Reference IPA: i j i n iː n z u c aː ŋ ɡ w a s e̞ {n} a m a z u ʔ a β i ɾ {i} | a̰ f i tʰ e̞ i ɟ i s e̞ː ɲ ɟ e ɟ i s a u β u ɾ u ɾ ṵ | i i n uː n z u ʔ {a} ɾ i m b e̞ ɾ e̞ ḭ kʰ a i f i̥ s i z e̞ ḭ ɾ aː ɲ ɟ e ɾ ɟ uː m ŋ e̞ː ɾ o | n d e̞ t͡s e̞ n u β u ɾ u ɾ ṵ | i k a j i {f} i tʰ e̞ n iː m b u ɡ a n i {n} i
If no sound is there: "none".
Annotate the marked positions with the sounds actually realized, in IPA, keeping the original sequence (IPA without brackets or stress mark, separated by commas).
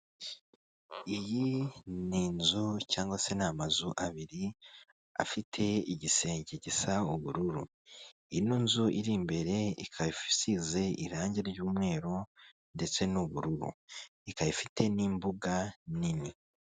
n, i, i, f, n